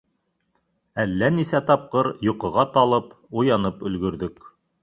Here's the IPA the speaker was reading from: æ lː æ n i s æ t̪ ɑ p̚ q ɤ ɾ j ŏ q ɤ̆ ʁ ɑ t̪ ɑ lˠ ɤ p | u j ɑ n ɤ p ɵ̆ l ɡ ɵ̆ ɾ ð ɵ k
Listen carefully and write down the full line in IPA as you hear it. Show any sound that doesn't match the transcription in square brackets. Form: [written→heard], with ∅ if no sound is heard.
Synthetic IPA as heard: æ lː æ n i s æ t̪ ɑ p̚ q ɤ ɾ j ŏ q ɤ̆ ʁ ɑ t̪ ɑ lˠ ɤ p | u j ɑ n ɤ p ɵ̆ l ɡ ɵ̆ ɾ ð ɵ k